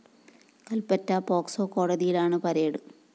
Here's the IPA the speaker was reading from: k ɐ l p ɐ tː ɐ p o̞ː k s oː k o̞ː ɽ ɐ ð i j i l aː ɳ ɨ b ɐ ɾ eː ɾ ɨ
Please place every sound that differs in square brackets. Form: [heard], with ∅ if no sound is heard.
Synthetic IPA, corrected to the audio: k ɐ l p ɐ tː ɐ p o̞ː k s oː k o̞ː ɽ ɐ ð i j i l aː ɳ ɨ [p] ɐ ɾ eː [ɽ] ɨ